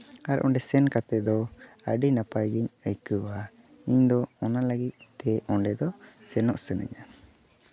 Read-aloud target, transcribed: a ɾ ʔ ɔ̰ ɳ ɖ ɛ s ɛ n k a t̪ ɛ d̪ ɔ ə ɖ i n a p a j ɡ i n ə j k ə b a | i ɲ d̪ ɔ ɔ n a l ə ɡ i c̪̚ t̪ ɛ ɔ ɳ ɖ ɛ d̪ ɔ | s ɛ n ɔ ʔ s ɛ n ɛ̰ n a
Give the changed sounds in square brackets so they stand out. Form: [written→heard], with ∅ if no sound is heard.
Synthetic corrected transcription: a ɾ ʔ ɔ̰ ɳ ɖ ɛ s ɛ n k a t̪ ɛ d̪ ɔ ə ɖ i n a p a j ɡ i [n→ɲ] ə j k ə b a | i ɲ d̪ ɔ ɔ n a l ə ɡ i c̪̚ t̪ ɛ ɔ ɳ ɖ ɛ d̪ ɔ | s ɛ n ɔ ʔ s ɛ n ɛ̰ [n→ɲ] a